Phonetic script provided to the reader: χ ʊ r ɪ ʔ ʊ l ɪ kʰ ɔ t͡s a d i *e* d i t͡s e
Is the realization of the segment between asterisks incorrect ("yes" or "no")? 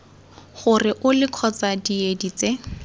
no